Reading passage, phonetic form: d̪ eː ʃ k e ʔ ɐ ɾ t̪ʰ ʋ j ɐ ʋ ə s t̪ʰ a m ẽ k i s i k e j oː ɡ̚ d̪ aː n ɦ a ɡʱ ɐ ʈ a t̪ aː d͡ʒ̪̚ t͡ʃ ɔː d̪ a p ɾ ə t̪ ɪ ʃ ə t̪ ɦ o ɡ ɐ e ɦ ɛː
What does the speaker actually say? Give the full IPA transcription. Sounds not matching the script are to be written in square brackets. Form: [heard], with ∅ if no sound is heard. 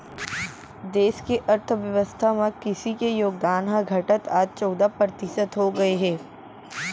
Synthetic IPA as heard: d̪ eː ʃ k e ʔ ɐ ɾ t̪ʰ ʋ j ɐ ʋ ə s t̪ʰ a m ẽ k [ɪ] s i k e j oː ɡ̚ d̪ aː n ɦ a ɡʱ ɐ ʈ [ə] t̪ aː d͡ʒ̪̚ t͡ʃ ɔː d̪ a p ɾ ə t̪ ɪ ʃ ə t̪ ɦ o ɡ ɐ e ɦ ɛː